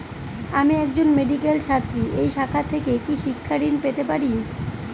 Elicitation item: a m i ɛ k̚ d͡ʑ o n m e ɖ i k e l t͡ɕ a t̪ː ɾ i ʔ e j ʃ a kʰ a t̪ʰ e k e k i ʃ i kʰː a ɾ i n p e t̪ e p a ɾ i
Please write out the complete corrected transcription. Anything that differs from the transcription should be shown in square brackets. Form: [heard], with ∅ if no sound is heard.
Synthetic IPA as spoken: a m i ɛ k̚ d͡ʑ o n m e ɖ i k e l [t͡ɕʰ] a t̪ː ɾ i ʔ e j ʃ a kʰ a t̪ʰ e k e k i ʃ i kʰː a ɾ i n p e t̪ e p a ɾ i